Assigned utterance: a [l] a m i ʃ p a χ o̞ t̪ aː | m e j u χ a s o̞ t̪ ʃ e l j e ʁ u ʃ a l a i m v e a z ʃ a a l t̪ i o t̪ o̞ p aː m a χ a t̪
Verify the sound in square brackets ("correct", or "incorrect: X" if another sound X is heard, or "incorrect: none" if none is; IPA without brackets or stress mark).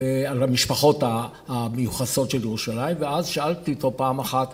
correct